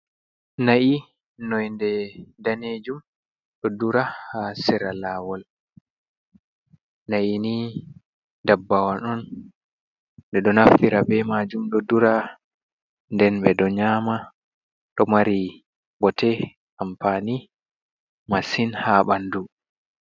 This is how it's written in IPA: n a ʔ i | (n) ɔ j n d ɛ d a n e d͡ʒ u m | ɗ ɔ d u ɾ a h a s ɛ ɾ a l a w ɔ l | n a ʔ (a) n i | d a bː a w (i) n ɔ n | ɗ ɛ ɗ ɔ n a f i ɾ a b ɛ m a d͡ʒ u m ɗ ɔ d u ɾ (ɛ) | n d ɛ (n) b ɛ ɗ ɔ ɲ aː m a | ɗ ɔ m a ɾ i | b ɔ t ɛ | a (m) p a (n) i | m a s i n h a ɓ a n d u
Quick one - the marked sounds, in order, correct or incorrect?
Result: correct, incorrect, incorrect, incorrect, correct, correct, correct

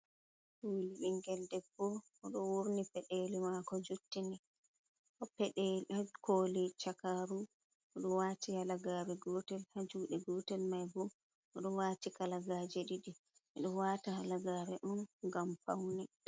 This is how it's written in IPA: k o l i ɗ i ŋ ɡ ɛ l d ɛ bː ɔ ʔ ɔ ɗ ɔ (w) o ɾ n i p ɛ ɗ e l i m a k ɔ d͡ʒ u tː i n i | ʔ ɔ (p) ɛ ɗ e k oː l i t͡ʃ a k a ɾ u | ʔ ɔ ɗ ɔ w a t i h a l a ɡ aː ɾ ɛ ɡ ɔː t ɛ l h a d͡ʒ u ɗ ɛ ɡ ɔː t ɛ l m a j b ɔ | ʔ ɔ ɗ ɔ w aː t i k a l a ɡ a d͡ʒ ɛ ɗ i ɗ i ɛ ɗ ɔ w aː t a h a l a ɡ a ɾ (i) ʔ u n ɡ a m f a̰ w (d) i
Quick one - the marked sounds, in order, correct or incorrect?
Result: correct, correct, incorrect, incorrect

